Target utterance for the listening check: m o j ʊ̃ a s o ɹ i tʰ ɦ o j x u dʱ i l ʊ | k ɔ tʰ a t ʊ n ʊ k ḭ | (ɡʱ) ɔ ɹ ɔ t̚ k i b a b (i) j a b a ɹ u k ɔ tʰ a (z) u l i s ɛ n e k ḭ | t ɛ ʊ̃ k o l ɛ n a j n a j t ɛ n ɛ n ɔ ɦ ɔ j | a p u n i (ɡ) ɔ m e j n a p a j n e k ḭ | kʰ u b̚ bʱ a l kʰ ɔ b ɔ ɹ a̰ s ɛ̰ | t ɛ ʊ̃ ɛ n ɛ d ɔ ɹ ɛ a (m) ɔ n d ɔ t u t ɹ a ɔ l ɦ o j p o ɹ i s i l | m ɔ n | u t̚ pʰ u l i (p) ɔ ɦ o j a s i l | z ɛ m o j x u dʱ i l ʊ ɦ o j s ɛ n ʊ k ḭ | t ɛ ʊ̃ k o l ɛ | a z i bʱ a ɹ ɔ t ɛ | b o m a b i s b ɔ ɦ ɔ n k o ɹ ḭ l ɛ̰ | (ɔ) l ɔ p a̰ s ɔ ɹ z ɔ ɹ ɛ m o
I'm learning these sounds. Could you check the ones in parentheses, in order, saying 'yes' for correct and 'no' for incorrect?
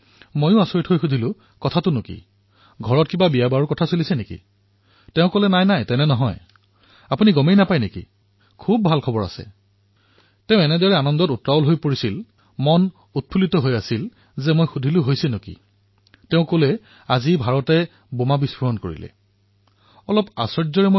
yes, yes, no, yes, no, no, yes

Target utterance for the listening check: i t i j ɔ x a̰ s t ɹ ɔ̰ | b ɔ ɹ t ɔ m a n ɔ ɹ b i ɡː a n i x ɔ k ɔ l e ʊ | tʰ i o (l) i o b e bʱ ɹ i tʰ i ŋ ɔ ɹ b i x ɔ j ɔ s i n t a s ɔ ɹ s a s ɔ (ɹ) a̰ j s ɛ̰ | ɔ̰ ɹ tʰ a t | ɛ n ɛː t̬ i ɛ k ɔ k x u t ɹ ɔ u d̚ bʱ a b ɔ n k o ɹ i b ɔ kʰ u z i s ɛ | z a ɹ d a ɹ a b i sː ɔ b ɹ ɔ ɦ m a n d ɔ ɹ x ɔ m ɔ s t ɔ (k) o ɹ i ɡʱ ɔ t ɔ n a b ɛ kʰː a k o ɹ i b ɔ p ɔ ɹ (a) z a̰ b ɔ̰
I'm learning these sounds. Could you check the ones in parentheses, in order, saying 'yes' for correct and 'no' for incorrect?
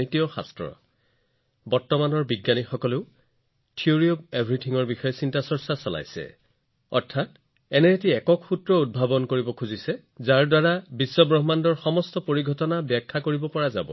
no, no, no, yes

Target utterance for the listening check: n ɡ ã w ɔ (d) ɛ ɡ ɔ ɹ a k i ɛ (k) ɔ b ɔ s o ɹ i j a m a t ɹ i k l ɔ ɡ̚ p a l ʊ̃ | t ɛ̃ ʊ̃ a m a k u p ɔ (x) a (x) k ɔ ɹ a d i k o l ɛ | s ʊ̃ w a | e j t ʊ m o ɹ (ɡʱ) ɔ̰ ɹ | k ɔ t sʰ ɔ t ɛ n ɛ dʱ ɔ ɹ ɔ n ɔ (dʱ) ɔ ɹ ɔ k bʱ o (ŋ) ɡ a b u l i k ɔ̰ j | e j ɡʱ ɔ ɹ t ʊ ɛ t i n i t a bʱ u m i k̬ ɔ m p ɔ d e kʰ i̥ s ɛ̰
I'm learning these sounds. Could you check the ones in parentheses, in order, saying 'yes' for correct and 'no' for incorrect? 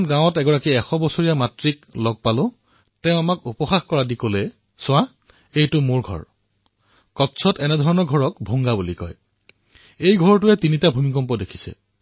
no, no, yes, yes, yes, no, yes

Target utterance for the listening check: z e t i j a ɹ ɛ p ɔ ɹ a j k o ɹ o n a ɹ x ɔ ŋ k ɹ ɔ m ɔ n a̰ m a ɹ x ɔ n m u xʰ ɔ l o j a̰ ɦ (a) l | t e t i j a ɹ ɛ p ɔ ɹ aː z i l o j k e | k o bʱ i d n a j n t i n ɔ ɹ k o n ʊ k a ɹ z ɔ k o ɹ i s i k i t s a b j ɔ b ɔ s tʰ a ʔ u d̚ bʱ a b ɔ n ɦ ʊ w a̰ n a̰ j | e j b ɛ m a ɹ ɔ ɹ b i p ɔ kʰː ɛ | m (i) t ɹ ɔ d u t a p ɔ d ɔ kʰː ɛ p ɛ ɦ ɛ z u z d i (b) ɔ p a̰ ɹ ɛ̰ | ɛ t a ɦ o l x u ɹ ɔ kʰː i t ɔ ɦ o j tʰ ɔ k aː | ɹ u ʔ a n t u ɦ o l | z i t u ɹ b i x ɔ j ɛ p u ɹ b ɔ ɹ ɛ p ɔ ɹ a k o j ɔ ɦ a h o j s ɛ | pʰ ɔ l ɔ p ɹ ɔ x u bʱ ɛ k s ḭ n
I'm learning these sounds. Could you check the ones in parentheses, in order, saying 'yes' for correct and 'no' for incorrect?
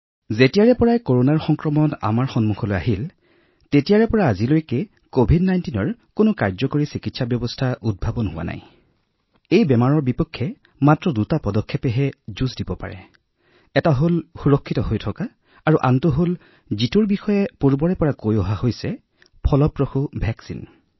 no, no, yes

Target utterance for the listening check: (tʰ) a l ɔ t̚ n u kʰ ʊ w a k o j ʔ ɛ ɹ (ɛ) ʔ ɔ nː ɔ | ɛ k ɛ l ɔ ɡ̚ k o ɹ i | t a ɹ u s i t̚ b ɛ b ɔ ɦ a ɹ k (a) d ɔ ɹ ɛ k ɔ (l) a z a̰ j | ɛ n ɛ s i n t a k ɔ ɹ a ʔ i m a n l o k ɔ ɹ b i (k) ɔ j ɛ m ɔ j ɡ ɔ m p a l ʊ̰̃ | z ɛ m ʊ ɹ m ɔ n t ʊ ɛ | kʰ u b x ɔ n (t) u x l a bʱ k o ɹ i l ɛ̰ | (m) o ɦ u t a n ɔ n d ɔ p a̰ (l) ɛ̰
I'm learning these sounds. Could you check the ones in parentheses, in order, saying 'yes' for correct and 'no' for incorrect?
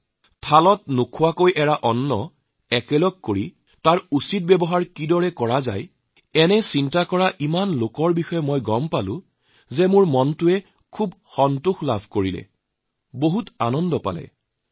yes, no, no, no, no, yes, no, yes

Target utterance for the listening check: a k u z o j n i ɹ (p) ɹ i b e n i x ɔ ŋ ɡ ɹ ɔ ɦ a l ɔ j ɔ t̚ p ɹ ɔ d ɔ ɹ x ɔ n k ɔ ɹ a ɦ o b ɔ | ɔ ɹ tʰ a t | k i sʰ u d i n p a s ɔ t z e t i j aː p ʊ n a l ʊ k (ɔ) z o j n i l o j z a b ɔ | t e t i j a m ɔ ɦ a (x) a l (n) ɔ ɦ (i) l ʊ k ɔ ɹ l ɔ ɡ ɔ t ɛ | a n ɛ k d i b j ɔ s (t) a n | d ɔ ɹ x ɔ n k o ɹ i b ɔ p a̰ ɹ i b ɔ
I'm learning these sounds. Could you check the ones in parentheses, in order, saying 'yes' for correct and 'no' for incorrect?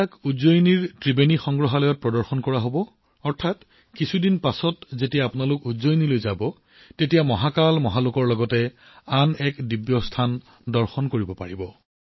no, no, no, no, no, no

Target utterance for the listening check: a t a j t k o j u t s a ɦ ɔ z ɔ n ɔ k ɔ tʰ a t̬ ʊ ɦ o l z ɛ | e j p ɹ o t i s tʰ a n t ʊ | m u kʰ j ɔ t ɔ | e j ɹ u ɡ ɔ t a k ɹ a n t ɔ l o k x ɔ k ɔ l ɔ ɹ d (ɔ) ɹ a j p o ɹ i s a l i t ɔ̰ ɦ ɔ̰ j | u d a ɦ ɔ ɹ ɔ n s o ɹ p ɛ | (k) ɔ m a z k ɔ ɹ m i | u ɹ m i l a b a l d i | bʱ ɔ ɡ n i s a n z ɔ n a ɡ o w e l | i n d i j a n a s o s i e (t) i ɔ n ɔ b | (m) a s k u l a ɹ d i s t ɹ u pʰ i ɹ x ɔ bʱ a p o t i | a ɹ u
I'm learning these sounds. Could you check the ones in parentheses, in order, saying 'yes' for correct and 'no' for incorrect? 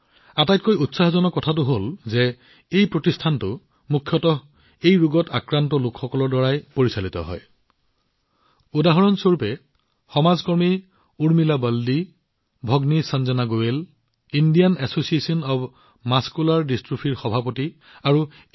yes, no, no, yes

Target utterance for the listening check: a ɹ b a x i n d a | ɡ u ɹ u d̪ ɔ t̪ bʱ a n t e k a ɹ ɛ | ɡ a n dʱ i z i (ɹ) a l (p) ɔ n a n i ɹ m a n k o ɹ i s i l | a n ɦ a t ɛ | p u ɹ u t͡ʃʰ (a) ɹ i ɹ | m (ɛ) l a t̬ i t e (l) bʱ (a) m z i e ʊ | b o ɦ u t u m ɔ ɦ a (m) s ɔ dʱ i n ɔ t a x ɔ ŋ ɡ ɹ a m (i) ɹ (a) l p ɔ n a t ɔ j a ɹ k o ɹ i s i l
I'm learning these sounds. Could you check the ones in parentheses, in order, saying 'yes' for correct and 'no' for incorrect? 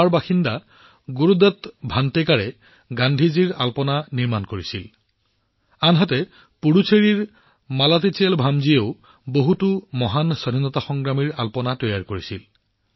yes, yes, no, no, yes, yes, no, yes, yes

